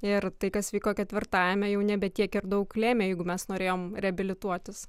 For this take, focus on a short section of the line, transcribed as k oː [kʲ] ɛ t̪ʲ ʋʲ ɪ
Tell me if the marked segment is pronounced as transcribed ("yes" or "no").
yes